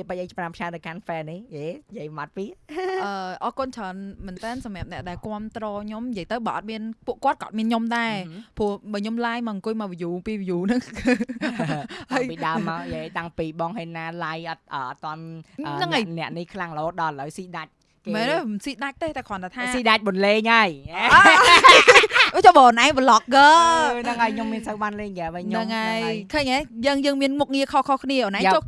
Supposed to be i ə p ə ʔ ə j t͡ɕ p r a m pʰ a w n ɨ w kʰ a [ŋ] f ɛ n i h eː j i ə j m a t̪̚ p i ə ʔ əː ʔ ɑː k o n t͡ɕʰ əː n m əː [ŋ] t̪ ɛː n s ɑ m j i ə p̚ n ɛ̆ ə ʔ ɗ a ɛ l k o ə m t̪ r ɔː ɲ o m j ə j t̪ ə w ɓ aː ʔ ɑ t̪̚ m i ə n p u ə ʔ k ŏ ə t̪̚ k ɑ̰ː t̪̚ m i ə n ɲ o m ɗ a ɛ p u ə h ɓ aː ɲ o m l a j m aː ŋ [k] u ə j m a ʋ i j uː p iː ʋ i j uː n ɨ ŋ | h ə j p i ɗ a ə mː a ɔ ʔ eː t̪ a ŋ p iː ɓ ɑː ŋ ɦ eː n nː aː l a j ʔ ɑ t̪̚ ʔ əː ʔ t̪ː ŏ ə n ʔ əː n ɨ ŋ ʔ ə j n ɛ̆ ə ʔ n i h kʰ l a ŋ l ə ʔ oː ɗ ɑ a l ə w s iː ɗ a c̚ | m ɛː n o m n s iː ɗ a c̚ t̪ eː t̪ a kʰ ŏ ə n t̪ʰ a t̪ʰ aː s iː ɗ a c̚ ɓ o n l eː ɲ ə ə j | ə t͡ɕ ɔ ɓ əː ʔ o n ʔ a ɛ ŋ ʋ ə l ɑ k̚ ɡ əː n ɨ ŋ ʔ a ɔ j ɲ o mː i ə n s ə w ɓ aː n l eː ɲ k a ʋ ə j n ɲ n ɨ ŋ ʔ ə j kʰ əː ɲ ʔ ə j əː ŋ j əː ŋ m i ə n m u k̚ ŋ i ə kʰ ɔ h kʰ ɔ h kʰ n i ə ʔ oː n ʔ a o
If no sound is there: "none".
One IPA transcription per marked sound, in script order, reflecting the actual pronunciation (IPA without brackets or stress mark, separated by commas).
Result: n, n, k